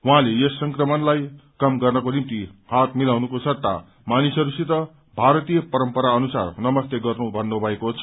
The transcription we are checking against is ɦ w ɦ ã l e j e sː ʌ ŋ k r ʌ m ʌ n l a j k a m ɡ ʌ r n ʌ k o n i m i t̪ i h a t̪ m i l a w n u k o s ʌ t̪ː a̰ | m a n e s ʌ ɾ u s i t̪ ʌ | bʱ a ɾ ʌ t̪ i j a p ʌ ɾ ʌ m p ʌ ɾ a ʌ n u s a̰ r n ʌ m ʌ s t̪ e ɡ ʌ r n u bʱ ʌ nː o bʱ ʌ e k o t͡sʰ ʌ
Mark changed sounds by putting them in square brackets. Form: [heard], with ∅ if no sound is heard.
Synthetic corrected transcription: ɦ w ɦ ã l e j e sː ʌ ŋ k r ʌ m ʌ n l a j k [ʌ] m ɡ ʌ r n ʌ k o n i m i t̪ i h a t̪ m i l a w n u k o s ʌ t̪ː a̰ | m a n [i] s ʌ ɾ u s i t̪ ʌ | bʱ a ɾ ʌ t̪ i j [ʌ] p ʌ ɾ ʌ m p ʌ ɾ a ʌ n u s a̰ r n ʌ m ʌ s t̪ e ɡ ʌ r n u bʱ ʌ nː o bʱ ʌ e k o t͡sʰ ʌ